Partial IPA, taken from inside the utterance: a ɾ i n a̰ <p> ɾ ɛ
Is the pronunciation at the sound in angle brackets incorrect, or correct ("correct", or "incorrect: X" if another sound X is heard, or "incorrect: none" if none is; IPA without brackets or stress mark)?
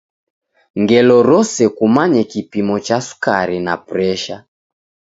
correct